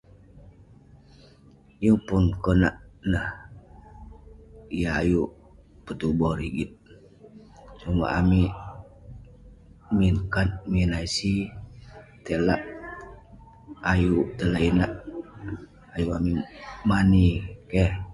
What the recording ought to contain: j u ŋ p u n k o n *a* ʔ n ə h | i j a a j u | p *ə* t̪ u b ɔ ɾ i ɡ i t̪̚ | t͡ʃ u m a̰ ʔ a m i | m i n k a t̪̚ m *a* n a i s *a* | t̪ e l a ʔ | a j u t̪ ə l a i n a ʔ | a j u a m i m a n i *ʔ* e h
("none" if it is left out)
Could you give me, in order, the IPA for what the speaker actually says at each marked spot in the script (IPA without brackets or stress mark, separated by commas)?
a, ə, i, i, k